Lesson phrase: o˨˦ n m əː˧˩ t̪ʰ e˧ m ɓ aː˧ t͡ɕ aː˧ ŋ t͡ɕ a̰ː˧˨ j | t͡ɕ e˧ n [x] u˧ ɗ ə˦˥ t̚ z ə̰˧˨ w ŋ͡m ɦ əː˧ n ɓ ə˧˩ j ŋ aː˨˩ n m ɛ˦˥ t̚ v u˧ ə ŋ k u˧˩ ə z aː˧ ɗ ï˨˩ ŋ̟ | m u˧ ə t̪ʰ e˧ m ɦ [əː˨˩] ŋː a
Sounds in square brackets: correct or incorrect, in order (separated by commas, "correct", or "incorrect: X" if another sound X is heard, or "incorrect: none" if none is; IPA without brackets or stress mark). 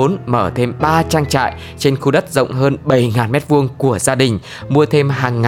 correct, incorrect: aː˨˩